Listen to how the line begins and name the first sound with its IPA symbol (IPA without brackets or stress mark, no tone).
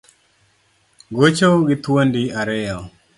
ɡ